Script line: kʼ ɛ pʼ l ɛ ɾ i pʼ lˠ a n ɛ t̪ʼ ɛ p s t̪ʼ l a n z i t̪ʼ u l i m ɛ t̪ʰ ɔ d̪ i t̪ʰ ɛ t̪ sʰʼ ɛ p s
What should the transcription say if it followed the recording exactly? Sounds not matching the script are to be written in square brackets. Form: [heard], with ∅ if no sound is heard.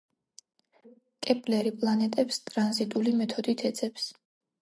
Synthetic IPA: kʼ ɛ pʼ l ɛ ɾ i pʼ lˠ a n ɛ t̪ʼ ɛ p s t̪ʼ [ɾ] a n z i t̪ʼ u l i m ɛ t̪ʰ ɔ d̪ i t̪ʰ ɛ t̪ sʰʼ ɛ p s